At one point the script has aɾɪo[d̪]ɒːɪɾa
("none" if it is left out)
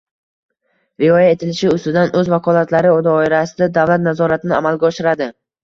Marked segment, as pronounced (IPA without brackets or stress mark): d̪